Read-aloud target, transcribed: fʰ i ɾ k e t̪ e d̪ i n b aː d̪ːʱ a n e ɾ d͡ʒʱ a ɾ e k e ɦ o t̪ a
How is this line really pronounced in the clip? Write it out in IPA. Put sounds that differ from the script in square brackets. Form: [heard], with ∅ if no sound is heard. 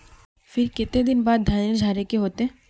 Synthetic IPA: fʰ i ɾ k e t̪ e d̪ i n b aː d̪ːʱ a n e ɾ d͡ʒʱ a ɾ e k e ɦ o t̪ [e]